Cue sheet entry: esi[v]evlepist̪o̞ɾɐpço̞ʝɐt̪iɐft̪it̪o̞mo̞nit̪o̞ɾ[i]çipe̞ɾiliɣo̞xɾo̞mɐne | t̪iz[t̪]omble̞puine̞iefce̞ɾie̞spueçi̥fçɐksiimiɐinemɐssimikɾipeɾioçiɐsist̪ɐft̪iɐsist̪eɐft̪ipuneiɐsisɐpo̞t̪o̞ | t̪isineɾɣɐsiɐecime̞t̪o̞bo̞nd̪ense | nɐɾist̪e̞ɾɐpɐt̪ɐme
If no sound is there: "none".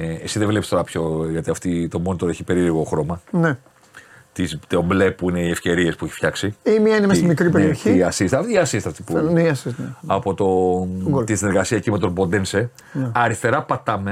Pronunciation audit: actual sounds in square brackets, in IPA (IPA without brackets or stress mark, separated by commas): ð, e, t̪